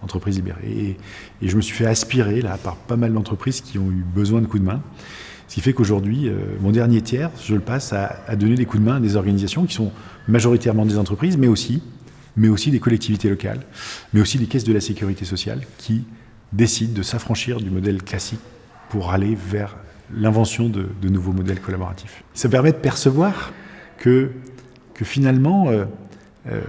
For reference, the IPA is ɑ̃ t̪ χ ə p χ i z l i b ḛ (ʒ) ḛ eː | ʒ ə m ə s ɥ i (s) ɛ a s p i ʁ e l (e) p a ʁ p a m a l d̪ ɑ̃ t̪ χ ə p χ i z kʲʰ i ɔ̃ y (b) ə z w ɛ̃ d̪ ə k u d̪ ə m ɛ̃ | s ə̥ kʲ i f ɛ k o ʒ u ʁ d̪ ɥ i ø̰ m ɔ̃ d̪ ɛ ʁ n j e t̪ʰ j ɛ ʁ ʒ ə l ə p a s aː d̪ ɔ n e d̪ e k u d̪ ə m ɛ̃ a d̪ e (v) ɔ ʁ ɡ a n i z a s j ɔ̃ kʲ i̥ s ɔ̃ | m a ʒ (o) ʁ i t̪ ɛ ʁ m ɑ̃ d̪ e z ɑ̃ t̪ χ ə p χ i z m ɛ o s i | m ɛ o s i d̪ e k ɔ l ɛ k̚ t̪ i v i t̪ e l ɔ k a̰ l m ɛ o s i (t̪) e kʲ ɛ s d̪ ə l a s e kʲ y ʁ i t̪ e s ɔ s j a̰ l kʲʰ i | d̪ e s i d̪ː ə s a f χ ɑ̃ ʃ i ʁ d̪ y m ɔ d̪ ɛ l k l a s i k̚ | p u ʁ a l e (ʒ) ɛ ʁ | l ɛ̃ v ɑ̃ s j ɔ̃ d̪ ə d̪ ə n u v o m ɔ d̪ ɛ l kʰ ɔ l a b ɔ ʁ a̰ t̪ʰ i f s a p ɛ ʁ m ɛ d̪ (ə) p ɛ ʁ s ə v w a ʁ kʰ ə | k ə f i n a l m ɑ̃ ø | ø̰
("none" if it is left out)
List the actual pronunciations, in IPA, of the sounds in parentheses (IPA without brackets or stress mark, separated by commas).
ʁ, f, a, b, z, ɔ, d̪, v, ə